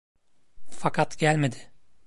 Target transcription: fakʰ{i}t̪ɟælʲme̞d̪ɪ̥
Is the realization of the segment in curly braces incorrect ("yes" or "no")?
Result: yes